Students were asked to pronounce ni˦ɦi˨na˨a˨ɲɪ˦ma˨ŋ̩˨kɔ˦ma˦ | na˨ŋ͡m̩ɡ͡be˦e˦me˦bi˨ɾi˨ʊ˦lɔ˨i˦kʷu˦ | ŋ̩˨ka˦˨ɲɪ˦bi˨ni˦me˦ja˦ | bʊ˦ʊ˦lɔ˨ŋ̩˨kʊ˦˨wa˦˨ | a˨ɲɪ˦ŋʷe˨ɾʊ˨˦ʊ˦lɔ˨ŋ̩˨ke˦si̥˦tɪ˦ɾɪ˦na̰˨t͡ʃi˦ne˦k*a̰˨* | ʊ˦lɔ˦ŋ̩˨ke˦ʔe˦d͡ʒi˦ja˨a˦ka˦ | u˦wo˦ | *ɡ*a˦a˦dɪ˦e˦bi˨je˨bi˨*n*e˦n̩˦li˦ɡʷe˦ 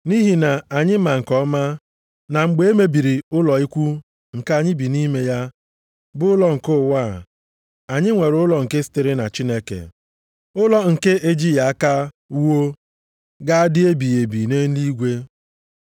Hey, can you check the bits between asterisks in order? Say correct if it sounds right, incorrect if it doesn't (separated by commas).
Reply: incorrect, correct, correct